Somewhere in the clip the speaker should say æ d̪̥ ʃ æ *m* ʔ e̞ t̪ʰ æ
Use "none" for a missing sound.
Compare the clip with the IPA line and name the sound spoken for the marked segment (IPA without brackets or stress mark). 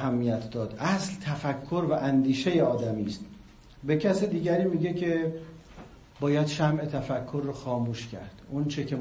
m